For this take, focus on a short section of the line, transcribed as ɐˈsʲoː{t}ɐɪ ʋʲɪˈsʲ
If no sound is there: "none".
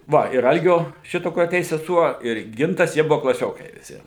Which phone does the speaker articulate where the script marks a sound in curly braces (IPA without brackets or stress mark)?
k